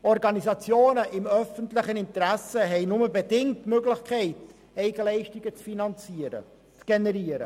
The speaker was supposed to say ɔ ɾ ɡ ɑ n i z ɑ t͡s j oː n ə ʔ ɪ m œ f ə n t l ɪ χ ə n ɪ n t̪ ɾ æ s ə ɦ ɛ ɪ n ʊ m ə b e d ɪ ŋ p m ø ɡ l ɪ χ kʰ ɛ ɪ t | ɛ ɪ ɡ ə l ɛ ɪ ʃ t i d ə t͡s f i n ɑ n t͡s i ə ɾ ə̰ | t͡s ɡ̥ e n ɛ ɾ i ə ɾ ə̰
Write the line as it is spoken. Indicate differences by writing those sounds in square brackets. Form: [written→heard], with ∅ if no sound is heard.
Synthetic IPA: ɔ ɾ ɡ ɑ n i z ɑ t͡s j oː n ə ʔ ɪ m œ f ə n t l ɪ χ ə n ɪ n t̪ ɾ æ s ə ɦ ɛ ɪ n ʊ m ə b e d ɪ ŋ [p→t] m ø ɡ l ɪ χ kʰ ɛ ɪ t | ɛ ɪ ɡ ə l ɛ ɪ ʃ t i [d→ɡ] ə t͡s f i n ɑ n t͡s i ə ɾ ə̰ | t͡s ɡ̥ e n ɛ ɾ i ə ɾ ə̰